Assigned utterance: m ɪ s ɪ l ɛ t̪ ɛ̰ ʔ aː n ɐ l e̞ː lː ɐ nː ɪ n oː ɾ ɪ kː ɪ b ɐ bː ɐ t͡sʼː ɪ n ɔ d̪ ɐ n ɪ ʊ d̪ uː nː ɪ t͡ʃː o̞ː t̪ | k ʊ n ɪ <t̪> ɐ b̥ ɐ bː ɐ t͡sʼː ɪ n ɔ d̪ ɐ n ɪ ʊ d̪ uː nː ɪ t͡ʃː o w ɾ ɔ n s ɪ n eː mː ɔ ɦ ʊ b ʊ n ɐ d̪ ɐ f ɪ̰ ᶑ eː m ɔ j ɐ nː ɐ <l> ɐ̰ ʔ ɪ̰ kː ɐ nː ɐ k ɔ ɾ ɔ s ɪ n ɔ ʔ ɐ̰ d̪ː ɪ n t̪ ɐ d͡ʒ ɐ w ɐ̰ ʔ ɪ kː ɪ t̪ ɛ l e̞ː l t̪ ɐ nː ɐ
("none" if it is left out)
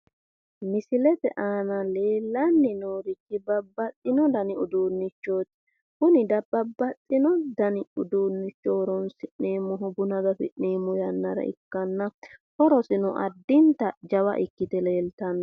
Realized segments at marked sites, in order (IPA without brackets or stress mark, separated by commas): d̪, ɾ